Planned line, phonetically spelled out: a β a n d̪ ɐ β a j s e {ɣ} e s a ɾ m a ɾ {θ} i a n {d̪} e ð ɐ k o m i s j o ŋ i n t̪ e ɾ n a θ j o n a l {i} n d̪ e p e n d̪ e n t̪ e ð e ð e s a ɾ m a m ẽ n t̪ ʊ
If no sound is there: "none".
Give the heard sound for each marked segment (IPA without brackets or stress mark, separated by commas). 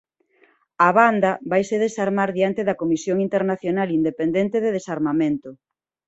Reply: ð, ð, t̪, i